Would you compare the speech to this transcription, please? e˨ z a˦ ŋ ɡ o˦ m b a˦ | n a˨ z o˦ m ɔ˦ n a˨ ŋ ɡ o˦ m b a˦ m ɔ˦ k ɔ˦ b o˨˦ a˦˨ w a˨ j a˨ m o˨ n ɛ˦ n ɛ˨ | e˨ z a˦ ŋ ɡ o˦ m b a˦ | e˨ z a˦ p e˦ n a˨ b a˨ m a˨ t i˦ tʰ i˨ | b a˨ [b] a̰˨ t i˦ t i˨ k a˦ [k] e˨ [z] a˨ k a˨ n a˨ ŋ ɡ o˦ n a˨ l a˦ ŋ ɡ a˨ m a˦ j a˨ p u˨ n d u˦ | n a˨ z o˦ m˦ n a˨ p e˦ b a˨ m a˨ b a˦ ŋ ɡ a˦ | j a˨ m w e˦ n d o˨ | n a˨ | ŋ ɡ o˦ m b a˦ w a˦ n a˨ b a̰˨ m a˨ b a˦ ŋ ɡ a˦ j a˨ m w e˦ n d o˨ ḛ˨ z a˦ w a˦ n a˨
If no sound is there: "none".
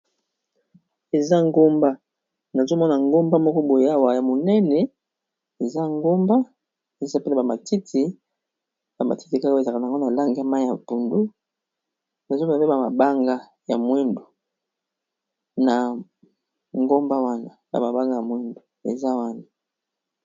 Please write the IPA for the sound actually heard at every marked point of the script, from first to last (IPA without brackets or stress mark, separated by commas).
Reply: m, k, z